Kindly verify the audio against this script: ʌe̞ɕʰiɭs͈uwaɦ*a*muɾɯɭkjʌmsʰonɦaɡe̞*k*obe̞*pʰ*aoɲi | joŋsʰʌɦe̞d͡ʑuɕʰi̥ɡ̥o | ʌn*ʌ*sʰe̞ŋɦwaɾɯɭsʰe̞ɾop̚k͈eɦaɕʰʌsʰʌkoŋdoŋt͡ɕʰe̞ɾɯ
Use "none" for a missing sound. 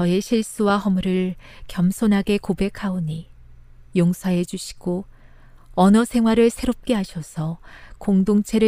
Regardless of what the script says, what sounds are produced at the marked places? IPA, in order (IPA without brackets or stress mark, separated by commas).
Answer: ʌ, k, kʰ, ʌ